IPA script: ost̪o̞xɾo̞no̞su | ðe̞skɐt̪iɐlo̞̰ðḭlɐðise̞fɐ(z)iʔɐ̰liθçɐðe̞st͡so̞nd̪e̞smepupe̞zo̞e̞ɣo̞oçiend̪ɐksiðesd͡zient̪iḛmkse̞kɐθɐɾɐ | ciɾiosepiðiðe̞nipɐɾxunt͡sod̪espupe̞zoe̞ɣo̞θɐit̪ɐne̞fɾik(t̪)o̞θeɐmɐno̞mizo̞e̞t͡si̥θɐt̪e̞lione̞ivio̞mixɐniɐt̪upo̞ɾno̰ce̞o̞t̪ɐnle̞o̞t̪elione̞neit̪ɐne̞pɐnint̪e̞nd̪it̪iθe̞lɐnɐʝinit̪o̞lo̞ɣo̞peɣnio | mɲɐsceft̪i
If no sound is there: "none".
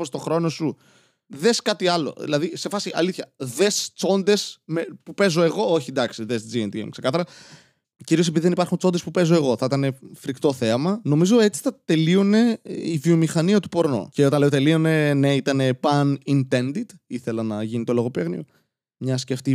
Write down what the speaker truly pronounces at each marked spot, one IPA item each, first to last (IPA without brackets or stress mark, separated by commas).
s, t̪